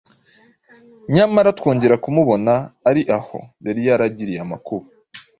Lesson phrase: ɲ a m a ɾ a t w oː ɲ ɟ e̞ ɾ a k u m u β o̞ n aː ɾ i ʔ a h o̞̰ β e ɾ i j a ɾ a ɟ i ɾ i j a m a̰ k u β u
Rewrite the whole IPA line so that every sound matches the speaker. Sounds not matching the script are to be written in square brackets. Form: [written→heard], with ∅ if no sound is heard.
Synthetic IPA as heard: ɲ a m a ɾ a t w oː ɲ ɟ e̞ ɾ a k u m u β o̞ n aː ɾ i ʔ a h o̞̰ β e ɾ i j a ɾ a ɟ i ɾ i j a m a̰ k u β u

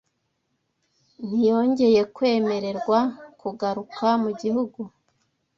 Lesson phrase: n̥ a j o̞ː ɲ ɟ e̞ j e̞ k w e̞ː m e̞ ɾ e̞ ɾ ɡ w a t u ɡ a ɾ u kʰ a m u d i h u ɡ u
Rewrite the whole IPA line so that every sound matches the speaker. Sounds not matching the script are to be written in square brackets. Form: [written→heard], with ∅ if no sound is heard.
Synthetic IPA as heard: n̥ [a→i] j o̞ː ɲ ɟ e̞ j e̞ k w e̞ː m e̞ ɾ e̞ ɾ ɡ w a [t→k] u ɡ a ɾ u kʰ a m u [d→ɟ] i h u ɡ u

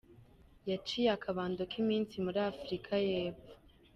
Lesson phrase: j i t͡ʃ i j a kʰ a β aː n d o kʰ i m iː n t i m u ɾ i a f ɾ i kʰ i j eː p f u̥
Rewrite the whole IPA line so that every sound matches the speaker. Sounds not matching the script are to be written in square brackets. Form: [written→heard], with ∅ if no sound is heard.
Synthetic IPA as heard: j [i→a] t͡ʃ i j a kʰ a β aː n d o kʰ i m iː n [t→s] i m u ɾ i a f ɾ i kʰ [i→a] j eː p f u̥

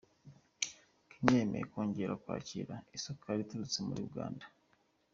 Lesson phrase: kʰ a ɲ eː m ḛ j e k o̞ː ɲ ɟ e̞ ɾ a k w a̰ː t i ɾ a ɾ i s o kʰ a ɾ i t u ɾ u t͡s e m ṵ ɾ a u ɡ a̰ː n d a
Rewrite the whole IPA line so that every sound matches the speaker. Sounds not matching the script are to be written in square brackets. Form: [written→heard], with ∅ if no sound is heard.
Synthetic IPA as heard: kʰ [a→i] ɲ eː m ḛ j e k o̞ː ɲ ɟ e̞ ɾ a k w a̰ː [t→c] i ɾ a [ɾ→∅] i s o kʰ a ɾ i t u ɾ u t͡s e m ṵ ɾ [a→i] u ɡ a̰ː n d a

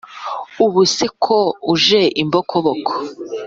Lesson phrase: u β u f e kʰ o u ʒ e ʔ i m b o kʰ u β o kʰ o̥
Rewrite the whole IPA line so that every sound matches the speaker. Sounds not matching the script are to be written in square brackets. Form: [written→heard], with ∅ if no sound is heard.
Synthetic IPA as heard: u β u [f→s] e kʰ o u ʒ e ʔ i m b o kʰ [u→o] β o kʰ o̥

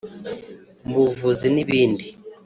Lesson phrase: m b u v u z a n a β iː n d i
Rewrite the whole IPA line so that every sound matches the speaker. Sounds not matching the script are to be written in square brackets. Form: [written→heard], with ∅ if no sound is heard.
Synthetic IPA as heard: m b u v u z [a→i] n [a→i] β iː n d i

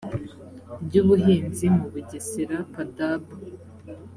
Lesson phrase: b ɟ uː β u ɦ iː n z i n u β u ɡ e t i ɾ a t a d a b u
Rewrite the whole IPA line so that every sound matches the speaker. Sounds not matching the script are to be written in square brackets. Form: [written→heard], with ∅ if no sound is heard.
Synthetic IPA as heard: b ɟ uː β u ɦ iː n z i [n→m] u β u [ɡ→ɟ] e [t→s] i ɾ a [t→p] a d a b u

